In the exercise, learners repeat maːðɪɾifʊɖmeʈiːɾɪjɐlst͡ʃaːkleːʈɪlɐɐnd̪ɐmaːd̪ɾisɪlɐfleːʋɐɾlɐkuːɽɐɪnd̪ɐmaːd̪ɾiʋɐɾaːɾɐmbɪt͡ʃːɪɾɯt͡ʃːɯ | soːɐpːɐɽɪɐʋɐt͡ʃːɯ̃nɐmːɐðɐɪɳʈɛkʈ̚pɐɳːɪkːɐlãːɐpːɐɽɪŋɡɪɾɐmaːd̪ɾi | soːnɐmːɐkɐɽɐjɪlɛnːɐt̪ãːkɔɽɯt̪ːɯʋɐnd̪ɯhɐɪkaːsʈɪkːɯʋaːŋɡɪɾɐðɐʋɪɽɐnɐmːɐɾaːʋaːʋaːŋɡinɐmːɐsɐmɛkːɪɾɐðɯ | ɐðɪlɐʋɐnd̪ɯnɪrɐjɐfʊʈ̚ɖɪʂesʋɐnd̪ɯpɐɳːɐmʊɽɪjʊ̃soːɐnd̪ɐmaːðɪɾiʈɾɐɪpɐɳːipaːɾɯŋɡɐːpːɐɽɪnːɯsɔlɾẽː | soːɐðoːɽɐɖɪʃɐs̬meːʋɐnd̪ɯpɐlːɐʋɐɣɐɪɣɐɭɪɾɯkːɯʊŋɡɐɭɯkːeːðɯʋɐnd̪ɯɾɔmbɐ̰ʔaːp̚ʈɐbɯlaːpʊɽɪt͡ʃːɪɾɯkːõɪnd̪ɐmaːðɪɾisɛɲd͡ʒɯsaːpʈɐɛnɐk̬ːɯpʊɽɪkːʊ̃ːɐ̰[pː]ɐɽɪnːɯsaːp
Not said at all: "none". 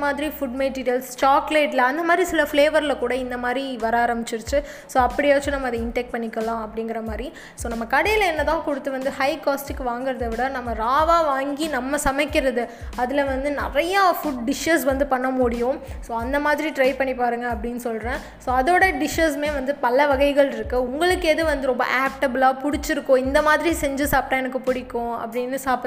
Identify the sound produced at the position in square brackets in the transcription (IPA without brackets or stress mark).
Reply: pː